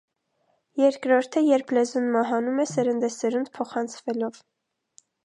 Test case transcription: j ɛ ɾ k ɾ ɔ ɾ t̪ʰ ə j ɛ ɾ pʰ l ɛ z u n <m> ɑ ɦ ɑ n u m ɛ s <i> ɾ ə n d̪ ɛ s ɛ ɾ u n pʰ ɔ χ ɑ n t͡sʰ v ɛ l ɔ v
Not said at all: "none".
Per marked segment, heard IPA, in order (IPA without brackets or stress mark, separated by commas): m, ɛ